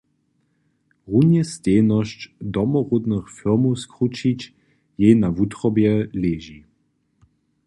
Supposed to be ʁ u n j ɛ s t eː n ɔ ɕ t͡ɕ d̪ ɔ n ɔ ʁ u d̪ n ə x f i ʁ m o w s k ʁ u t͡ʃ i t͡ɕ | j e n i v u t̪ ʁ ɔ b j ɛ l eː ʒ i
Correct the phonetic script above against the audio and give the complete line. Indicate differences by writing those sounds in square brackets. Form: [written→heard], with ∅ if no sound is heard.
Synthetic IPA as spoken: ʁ u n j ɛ s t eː n ɔ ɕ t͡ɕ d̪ ɔ [n→m] ɔ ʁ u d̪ n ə x f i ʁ m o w s k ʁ u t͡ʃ i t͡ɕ | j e n [i→a] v u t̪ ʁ ɔ b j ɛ l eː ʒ i